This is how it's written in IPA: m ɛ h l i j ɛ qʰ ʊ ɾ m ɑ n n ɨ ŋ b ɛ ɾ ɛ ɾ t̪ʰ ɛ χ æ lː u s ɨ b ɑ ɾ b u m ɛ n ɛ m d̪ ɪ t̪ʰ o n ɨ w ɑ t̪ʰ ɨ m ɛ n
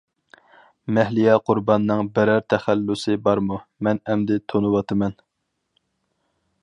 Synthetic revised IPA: m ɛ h l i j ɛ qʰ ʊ ɾ b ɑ n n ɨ ŋ b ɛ ɾ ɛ ɾ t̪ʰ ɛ χ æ lː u s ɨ b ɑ ɾ m u m ɛ n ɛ m d̪ ɪ t̪ʰ o n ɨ w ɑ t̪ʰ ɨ m ɛ n